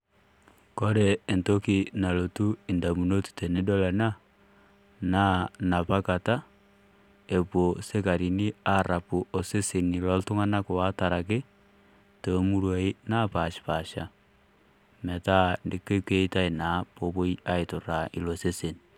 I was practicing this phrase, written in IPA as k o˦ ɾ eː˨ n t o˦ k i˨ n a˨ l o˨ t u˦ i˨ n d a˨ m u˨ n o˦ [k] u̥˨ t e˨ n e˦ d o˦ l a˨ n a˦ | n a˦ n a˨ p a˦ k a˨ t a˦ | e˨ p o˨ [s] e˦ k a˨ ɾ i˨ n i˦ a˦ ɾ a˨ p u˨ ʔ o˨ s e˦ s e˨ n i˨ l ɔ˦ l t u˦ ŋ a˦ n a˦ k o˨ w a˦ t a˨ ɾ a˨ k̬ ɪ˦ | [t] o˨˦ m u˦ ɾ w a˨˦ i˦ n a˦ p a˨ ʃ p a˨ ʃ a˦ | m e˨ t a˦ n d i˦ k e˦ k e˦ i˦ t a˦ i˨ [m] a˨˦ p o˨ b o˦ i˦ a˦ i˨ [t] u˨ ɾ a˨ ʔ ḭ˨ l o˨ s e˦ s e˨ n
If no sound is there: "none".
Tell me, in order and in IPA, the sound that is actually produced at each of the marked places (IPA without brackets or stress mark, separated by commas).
t, s, t, n, t